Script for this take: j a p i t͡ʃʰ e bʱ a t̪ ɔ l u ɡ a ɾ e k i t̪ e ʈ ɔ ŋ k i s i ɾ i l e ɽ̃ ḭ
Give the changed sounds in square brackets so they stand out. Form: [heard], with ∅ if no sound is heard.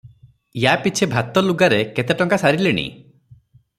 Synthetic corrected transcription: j a p i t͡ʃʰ e bʱ a t̪ ɔ l u ɡ a ɾ e k [e] t̪ e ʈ ɔ ŋ k [a] s [a] ɾ i l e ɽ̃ ḭ